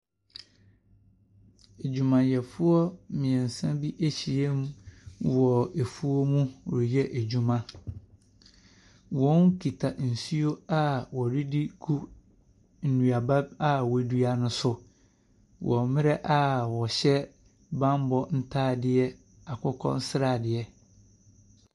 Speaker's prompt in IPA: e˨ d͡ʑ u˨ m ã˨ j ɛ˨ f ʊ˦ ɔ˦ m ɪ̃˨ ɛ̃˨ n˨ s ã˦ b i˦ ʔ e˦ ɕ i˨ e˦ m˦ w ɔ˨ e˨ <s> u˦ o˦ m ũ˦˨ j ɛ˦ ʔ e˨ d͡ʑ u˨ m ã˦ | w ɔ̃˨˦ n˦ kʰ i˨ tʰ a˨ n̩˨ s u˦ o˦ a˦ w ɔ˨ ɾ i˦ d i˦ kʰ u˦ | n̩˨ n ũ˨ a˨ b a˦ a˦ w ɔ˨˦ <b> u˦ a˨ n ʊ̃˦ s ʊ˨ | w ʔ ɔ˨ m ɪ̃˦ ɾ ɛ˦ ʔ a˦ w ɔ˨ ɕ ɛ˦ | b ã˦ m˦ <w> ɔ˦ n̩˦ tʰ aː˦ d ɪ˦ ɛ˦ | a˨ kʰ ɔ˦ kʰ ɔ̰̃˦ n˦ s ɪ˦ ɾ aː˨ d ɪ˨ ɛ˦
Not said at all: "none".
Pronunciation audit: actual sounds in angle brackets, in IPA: f, d, b

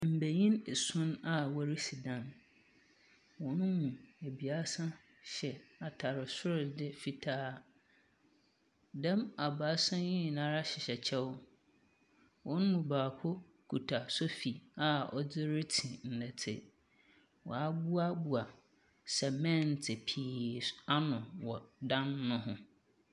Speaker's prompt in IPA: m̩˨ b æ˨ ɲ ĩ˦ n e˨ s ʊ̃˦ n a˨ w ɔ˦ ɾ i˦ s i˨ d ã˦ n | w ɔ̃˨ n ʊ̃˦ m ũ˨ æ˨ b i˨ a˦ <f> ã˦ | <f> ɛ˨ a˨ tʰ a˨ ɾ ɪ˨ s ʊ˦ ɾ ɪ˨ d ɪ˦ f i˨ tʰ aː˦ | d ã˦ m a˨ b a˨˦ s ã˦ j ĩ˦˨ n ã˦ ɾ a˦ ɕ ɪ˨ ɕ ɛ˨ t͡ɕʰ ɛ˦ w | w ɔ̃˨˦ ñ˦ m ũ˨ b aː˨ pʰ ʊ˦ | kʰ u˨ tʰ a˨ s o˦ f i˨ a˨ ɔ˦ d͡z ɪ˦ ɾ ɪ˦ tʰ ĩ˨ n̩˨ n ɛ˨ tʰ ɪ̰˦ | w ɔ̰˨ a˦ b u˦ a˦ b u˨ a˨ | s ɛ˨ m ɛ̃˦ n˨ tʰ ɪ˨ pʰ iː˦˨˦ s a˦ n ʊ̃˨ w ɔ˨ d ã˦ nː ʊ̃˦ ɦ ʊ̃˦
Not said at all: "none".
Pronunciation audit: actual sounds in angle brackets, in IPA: s, ɕ

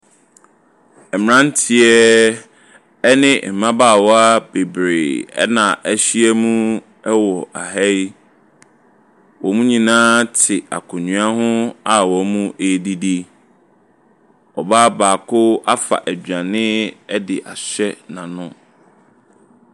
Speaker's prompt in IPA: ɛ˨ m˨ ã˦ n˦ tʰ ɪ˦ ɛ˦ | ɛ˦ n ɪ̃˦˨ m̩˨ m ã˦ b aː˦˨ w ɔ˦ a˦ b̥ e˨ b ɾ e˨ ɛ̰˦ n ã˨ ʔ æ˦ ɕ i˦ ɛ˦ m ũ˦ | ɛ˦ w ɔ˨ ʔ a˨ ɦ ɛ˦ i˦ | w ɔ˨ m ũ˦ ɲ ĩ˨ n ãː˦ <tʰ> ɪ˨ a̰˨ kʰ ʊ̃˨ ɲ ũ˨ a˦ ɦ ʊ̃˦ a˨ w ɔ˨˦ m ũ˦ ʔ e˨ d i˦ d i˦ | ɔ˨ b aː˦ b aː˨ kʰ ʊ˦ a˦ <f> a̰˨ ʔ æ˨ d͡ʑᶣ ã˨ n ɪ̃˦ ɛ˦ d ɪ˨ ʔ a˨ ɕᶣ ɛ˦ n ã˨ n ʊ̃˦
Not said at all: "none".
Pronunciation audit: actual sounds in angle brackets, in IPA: tʰ, f

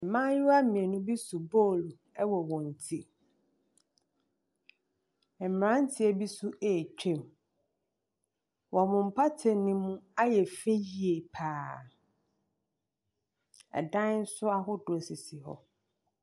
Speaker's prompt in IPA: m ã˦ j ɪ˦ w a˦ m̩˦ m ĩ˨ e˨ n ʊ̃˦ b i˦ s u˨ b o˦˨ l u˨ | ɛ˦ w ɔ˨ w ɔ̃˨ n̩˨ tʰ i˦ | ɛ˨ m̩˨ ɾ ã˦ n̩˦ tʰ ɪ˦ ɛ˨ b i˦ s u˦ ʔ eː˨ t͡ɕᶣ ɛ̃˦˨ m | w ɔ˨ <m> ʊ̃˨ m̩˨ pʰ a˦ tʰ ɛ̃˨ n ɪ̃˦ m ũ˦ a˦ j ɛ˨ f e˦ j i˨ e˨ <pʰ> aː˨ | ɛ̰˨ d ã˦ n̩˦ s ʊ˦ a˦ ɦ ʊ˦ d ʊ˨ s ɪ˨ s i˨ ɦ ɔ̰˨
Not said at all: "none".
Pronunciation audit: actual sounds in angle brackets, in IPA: m, pʰ

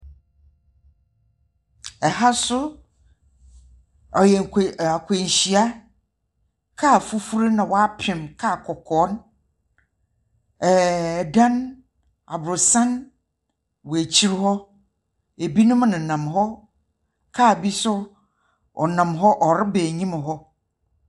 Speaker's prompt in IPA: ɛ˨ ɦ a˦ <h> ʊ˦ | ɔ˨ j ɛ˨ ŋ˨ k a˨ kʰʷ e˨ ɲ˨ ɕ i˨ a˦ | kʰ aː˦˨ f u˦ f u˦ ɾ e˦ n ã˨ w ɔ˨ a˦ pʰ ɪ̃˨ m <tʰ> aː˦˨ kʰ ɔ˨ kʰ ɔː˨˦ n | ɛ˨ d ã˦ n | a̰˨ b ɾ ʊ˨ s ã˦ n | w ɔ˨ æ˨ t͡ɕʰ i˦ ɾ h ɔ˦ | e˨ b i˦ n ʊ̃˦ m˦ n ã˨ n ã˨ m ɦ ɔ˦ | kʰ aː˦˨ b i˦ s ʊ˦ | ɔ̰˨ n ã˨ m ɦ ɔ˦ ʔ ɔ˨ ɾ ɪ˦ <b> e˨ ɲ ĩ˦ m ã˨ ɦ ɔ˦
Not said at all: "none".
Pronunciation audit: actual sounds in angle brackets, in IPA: s, kʰ, b

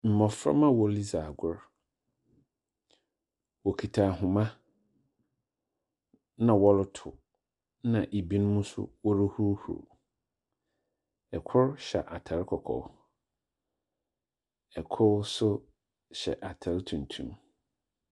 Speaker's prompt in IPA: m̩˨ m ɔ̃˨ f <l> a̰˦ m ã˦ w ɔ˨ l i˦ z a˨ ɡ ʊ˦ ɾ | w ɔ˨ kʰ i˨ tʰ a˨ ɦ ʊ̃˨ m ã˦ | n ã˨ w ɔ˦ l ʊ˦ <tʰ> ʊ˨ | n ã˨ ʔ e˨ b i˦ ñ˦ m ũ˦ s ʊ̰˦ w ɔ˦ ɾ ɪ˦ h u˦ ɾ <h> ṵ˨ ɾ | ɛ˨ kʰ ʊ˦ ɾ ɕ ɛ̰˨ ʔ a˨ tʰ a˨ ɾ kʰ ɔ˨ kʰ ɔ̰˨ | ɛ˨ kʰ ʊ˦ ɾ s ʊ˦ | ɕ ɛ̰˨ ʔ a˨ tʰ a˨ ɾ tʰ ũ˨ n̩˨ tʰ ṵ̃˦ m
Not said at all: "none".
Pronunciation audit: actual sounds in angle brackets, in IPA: ɾ, tʰ, h

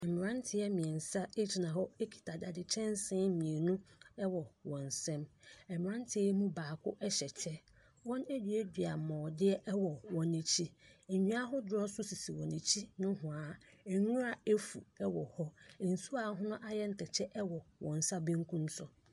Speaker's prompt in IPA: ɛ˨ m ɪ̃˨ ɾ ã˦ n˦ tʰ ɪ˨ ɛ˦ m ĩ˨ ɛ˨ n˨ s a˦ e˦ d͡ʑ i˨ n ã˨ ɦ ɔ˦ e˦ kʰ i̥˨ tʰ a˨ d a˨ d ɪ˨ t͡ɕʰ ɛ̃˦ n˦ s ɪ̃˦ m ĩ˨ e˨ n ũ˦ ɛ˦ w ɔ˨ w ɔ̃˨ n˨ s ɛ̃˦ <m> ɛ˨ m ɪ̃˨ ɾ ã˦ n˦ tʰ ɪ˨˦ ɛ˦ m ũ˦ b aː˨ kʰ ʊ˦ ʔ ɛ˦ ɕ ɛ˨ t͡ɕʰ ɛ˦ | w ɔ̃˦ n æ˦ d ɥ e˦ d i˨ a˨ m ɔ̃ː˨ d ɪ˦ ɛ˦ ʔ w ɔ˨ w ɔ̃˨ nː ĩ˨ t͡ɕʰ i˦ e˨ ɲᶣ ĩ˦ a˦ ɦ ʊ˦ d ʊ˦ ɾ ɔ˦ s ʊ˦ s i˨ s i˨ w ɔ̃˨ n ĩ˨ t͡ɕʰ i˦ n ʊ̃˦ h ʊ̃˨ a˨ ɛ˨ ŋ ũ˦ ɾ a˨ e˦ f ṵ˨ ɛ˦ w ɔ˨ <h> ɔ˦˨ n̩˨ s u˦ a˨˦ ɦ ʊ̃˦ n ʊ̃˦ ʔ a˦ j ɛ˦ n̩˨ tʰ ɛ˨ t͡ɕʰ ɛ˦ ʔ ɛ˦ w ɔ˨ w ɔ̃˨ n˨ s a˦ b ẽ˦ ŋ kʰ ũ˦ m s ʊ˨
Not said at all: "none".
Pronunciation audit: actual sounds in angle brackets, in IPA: m, h

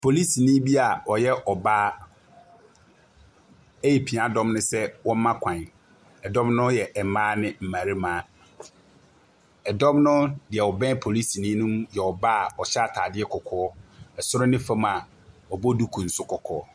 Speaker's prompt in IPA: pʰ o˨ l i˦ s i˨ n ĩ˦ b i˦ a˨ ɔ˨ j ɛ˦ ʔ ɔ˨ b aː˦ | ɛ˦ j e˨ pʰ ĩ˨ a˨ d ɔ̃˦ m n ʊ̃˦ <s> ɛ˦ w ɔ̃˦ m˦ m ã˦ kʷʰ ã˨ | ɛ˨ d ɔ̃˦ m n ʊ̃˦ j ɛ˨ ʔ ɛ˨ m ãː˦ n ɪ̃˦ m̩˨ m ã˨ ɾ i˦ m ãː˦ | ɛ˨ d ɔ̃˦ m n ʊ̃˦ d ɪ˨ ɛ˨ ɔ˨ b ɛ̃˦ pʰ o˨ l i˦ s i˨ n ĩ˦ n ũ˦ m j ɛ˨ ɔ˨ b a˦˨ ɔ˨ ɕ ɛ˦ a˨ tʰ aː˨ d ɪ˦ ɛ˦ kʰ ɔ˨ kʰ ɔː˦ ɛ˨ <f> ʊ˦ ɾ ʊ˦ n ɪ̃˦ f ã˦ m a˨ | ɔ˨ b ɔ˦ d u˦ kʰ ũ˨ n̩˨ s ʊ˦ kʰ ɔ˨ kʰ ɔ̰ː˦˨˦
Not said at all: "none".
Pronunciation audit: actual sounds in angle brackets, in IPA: s, s

